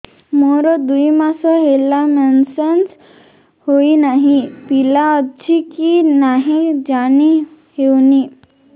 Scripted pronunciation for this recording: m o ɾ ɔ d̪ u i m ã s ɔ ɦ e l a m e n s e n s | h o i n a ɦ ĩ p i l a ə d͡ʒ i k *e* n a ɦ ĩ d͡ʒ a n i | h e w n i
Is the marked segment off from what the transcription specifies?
yes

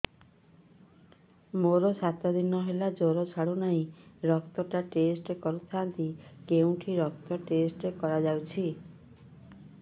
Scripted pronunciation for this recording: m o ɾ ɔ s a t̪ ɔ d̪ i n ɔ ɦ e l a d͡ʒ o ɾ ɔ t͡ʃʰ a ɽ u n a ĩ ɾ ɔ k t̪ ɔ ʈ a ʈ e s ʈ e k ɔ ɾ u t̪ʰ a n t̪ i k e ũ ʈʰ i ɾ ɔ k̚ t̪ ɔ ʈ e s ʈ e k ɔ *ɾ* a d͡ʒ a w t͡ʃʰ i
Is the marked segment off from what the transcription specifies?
no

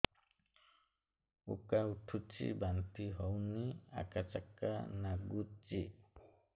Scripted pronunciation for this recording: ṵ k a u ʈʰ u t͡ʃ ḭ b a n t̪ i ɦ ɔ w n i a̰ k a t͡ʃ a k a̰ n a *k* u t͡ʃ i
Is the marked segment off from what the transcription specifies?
yes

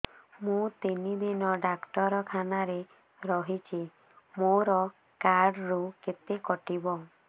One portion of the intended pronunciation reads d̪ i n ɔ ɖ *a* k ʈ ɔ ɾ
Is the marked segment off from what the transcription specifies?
no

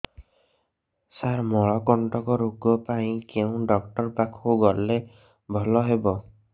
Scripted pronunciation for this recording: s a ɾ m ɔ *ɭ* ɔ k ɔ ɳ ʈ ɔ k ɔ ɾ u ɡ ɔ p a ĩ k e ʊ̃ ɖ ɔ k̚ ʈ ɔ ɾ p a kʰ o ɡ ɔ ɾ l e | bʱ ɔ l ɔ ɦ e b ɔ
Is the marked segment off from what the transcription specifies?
no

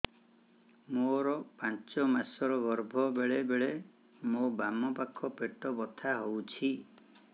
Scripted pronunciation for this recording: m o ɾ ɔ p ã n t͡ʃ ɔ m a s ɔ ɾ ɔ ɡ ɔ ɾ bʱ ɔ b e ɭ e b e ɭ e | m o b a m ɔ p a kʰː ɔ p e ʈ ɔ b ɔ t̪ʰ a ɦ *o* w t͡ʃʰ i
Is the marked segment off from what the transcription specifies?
no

